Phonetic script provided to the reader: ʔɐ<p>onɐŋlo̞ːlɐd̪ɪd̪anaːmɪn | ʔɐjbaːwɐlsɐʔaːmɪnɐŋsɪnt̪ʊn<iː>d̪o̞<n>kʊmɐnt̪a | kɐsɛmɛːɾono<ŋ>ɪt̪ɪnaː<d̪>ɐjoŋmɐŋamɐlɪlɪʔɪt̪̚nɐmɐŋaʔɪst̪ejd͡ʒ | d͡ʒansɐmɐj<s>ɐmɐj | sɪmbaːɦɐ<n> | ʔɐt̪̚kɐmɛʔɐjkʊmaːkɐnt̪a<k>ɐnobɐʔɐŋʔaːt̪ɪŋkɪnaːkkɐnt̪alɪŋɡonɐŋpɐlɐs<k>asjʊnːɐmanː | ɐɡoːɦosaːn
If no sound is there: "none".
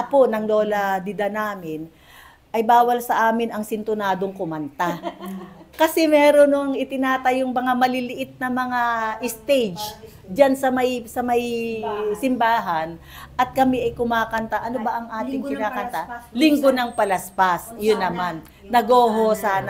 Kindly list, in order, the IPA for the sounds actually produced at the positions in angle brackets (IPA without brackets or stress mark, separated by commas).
p, aː, ŋ, ŋ, t̪, s, n, ʔ, p